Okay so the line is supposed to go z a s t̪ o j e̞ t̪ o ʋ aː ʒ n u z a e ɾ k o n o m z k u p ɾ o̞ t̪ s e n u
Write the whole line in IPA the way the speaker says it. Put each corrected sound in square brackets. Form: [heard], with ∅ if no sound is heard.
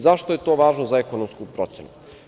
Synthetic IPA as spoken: z a [ʃ] t̪ o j e̞ t̪ o ʋ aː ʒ n [o] z a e [∅] k o n o m [s] k u p ɾ o̞ t̪ s e n u